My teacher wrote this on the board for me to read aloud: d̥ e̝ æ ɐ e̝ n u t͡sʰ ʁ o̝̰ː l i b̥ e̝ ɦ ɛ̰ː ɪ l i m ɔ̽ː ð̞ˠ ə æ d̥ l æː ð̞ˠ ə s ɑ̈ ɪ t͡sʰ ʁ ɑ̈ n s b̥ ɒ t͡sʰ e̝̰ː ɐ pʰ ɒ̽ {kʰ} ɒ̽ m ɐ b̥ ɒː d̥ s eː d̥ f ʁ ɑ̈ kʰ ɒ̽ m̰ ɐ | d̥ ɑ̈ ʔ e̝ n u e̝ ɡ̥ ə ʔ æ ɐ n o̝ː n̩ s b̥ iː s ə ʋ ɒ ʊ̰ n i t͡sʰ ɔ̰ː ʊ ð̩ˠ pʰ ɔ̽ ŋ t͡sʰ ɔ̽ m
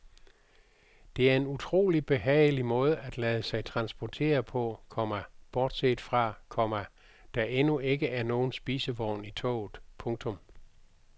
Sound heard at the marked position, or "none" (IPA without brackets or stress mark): kʰ